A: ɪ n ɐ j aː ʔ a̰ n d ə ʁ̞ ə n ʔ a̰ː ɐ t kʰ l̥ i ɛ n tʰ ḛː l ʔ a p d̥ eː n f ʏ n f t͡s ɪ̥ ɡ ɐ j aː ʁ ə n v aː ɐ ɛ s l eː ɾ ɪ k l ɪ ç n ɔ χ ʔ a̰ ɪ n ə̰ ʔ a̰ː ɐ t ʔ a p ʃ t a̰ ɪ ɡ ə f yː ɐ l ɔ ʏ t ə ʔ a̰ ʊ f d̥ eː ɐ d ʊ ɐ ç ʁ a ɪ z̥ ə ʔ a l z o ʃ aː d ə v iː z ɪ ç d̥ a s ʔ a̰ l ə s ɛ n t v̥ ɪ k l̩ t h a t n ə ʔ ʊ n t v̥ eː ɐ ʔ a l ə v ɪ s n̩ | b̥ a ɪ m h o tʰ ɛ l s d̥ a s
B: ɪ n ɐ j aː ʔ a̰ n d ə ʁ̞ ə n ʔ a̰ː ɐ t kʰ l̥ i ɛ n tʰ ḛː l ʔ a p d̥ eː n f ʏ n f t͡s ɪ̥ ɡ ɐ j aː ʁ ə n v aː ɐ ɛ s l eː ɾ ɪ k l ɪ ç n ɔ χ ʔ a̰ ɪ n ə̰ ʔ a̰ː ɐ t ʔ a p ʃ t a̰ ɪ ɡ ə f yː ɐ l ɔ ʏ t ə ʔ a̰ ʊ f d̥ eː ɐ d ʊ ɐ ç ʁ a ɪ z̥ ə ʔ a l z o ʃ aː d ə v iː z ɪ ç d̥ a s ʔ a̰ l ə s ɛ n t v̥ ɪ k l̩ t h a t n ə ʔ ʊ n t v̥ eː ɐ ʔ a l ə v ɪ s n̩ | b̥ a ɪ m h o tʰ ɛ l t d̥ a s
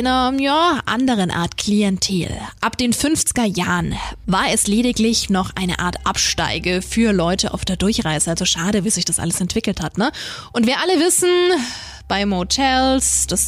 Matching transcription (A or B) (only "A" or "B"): A